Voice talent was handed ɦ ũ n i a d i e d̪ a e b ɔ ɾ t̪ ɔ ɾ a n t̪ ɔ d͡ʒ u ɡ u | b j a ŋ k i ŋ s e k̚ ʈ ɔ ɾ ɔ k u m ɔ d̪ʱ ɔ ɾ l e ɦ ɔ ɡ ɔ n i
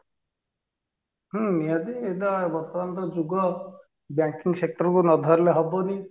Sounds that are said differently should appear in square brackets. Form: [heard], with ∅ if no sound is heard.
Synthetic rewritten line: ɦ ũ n i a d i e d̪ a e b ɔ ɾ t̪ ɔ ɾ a n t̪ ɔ d͡ʒ u ɡ [ɔ] | b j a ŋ k i ŋ s e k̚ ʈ ɔ ɾ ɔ k u [n] ɔ d̪ʱ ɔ ɾ l e ɦ ɔ [b] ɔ n i